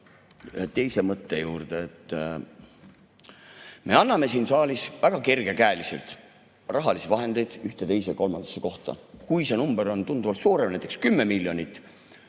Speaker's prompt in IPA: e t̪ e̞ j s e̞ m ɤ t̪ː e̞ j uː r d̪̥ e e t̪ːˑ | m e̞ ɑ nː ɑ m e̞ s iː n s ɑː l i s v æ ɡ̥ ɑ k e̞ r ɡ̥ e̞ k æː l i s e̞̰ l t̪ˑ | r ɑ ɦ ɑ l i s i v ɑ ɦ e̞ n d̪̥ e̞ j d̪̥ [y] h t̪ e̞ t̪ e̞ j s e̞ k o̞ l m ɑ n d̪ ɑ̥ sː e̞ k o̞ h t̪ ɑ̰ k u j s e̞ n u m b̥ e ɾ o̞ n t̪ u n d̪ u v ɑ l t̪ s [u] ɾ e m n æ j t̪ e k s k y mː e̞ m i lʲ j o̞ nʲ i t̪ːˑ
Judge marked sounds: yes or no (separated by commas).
yes, no